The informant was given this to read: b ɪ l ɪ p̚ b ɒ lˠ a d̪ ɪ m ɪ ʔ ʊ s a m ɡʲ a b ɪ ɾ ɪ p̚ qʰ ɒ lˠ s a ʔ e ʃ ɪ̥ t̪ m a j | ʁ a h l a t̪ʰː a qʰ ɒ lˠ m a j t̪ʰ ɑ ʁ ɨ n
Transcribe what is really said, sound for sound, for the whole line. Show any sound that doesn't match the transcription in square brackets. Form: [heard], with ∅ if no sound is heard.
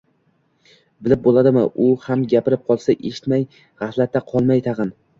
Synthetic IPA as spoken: b ɪ l ɪ p̚ b [o] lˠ a d̪ ɪ m ɪ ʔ ʊ [h] a m ɡʲ a [p] ɪ ɾ ɪ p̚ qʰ ɒ lˠ s a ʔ e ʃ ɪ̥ t̪ m a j | ʁ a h l a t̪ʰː a qʰ ɒ lˠ m a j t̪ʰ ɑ ʁ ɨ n